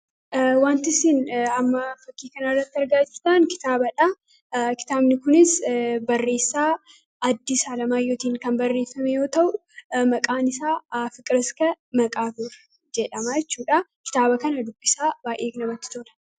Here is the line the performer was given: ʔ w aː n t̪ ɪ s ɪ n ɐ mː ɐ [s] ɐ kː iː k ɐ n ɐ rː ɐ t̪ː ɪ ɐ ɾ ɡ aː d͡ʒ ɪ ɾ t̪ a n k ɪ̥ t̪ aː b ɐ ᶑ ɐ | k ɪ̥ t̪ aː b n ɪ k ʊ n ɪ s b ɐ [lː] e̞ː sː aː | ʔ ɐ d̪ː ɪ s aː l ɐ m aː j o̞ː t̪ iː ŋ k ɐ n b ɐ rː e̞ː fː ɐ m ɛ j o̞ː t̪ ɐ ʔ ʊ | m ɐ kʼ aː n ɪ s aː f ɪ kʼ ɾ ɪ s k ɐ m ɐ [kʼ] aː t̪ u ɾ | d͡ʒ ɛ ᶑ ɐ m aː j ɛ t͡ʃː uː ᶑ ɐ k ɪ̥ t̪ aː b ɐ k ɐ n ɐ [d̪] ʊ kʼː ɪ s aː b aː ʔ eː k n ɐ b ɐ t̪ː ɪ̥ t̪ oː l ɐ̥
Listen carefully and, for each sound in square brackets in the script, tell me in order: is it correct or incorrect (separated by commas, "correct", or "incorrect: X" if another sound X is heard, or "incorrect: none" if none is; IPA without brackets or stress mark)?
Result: incorrect: f, incorrect: rː, correct, correct